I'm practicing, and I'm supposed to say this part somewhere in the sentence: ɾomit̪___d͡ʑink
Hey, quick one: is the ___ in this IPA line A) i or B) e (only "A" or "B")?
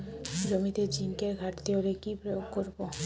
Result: B